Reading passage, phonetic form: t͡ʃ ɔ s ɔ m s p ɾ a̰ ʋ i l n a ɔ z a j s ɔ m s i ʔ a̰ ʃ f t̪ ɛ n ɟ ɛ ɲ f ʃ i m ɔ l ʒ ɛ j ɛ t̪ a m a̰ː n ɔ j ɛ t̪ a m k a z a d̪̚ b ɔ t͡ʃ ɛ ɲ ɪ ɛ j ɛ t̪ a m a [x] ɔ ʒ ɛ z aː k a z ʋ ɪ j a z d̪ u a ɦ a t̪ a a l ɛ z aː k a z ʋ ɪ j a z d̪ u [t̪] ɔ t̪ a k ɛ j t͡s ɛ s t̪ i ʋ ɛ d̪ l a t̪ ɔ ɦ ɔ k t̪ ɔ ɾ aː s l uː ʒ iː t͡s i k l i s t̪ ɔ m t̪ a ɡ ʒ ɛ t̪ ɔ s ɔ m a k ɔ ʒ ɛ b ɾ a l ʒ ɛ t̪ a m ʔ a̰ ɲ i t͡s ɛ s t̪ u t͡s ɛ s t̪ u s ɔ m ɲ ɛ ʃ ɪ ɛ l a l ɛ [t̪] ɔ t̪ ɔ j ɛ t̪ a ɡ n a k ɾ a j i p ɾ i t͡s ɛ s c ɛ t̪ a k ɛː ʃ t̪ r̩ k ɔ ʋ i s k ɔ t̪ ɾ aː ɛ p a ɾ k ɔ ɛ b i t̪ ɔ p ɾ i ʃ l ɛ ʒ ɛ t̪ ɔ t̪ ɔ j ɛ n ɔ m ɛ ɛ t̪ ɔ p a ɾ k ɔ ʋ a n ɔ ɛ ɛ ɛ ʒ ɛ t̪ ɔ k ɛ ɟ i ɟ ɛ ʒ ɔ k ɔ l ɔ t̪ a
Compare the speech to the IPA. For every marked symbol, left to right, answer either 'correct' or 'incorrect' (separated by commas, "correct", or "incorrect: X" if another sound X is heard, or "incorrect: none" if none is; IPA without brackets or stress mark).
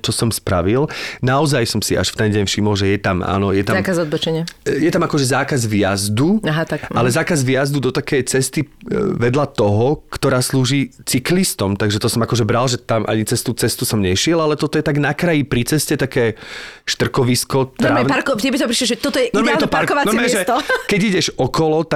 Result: incorrect: k, incorrect: d̪, correct